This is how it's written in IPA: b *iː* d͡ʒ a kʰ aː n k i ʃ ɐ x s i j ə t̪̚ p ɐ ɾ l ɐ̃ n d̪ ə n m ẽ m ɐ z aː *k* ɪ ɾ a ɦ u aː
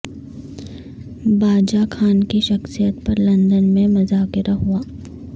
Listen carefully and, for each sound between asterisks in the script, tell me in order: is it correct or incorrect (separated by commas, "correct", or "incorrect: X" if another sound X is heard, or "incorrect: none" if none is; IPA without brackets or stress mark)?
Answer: incorrect: aː, correct